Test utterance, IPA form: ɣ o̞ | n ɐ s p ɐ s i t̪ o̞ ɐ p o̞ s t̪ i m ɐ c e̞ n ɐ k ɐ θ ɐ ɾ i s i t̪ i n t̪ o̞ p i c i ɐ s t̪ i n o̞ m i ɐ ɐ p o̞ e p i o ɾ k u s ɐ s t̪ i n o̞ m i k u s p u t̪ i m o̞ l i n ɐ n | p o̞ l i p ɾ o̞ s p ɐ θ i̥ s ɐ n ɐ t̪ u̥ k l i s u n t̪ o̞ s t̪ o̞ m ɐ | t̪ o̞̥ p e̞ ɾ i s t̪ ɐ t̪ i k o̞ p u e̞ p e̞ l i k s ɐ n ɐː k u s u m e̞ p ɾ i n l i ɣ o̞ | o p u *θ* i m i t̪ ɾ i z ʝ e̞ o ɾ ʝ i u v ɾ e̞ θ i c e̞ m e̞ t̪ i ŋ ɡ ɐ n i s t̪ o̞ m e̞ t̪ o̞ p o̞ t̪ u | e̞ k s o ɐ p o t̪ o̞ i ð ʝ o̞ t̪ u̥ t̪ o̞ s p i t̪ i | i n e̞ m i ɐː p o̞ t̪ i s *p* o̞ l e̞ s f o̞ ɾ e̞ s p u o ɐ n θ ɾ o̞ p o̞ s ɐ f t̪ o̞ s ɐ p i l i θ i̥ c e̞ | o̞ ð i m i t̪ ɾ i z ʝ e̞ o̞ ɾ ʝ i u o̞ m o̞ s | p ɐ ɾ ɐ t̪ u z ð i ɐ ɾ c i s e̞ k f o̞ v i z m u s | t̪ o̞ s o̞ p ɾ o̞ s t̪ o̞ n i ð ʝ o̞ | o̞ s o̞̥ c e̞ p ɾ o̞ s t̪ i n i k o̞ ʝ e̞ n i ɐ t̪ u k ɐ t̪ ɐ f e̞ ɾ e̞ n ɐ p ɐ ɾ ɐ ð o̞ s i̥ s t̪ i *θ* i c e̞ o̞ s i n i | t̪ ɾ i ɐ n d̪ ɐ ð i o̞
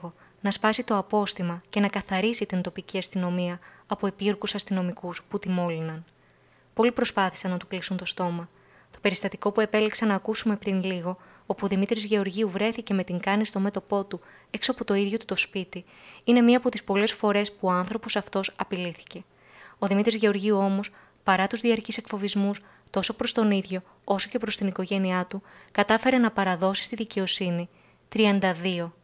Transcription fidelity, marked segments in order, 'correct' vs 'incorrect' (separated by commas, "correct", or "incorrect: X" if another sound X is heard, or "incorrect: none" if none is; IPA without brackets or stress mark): incorrect: ð, correct, incorrect: ð